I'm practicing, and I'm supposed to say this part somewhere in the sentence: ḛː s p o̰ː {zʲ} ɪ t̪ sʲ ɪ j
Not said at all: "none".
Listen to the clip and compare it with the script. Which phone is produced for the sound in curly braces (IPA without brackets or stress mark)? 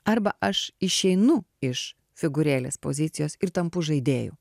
zʲ